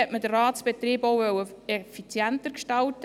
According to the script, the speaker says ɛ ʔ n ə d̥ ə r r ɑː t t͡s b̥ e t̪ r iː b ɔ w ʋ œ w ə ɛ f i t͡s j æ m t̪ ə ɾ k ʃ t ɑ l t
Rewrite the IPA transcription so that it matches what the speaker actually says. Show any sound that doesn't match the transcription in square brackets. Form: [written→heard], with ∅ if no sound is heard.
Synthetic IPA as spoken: ɛ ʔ [n→m] ə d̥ ə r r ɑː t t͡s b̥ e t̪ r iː b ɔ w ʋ œ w ə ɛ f i t͡s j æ [m→n] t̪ ə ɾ k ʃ t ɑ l t

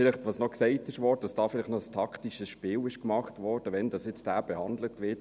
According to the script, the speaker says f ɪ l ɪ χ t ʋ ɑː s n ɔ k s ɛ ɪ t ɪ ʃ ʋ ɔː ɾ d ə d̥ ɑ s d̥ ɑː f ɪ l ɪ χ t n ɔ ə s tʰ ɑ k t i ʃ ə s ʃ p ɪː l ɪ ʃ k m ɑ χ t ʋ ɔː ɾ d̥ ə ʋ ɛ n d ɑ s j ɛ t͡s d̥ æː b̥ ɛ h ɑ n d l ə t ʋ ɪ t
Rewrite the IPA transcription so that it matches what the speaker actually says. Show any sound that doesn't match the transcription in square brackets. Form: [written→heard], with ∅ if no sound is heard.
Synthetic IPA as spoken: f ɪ l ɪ χ t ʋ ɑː s n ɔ k s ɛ ɪ t ɪ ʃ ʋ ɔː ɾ d ə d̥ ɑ s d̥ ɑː f ɪ l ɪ χ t n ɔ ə s tʰ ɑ k t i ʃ ə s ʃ p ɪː l ɪ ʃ k m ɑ χ t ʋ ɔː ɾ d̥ ə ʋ ɛ n d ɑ s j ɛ t͡s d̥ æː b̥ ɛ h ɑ n d l ə t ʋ ɪ t

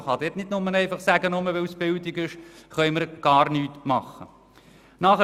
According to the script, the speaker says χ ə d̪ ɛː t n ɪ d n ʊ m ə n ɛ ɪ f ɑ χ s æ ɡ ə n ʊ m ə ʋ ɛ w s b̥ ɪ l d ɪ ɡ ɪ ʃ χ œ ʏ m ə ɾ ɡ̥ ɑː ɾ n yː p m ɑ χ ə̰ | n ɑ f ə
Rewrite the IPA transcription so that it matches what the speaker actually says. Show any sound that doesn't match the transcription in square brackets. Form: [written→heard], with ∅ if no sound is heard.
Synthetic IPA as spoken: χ [ə→ɑ] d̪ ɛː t n ɪ d n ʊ m ə n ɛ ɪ f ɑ χ s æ ɡ ə n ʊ m ə ʋ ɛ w s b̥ ɪ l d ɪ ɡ ɪ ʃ χ œ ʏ m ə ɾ ɡ̥ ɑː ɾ n yː [p→t] m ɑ χ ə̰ | n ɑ [f→χ] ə

